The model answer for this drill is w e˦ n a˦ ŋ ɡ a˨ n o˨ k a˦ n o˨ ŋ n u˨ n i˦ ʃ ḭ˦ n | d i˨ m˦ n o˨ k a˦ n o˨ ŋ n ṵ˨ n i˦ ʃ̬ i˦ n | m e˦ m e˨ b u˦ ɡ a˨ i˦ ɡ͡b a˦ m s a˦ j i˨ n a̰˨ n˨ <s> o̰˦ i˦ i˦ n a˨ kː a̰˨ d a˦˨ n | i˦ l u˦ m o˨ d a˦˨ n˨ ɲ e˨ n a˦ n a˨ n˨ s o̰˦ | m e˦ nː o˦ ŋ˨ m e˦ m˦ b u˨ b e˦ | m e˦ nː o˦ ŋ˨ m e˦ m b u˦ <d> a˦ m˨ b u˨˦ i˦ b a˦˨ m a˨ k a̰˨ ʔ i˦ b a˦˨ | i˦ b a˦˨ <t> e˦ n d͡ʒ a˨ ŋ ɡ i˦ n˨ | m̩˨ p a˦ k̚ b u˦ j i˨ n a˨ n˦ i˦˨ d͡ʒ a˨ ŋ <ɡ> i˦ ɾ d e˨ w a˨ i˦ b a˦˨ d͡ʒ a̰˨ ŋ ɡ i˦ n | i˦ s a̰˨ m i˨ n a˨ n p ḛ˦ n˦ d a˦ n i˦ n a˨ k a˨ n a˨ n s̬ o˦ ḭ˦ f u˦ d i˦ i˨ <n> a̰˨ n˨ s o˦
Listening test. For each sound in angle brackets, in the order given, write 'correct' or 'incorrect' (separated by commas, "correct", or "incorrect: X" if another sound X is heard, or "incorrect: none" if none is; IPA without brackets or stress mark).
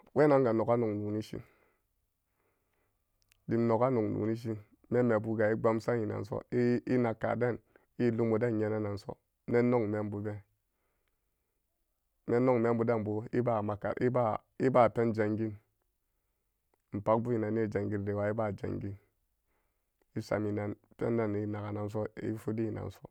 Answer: correct, correct, incorrect: p, correct, correct